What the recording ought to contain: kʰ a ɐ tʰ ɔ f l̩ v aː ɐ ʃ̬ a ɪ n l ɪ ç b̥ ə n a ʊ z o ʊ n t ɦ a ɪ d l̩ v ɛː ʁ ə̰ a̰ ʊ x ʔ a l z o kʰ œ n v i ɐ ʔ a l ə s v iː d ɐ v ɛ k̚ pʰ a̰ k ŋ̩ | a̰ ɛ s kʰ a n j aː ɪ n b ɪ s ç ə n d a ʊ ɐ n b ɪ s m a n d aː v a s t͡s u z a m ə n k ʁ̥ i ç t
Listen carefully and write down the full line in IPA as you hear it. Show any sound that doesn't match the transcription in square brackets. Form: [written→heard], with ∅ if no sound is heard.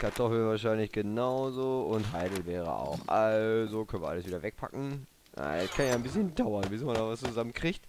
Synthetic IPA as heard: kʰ a ɐ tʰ ɔ f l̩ v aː ɐ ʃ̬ a ɪ n l ɪ ç [b̥→ɡ̥] ə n a ʊ z o ʊ n t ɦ a ɪ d l̩ v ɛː ʁ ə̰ a̰ ʊ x ʔ a l z o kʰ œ n v i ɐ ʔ a l ə s v iː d ɐ v ɛ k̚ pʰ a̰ k ŋ̩ | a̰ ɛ s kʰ a n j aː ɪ n b ɪ s ç ə n d a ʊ ɐ n b ɪ s m a n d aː v a s t͡s u z a m ə n k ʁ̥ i ç t